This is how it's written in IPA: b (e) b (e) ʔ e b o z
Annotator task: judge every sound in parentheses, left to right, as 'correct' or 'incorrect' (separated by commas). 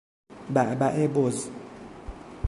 incorrect, incorrect